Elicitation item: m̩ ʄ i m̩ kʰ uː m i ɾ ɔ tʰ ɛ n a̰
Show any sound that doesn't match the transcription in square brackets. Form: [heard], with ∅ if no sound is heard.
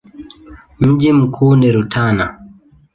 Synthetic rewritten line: m̩ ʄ i m̩ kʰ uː [n] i ɾ [u] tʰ [a] n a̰